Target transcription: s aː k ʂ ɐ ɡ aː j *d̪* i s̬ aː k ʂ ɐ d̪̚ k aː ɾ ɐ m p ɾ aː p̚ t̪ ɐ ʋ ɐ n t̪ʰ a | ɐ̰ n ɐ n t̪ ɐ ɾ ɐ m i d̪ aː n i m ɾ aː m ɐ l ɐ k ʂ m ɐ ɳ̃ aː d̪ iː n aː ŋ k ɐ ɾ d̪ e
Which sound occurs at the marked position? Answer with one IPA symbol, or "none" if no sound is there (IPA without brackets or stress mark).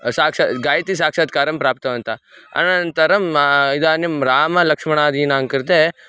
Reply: t̪